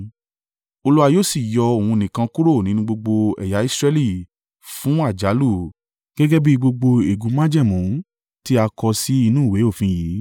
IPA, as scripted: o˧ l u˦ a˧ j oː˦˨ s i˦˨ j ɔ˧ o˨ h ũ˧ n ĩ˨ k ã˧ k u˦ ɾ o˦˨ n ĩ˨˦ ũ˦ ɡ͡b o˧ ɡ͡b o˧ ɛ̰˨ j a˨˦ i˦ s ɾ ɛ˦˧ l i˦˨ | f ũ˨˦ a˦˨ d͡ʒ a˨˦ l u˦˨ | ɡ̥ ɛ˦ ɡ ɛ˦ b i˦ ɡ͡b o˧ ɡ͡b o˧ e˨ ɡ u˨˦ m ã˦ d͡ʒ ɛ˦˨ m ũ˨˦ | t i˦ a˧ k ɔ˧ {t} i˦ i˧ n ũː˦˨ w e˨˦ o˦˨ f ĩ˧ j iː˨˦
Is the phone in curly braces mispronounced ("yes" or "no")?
yes